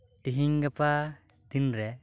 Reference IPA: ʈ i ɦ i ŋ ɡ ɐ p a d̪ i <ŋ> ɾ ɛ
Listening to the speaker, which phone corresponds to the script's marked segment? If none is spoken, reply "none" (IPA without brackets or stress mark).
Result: n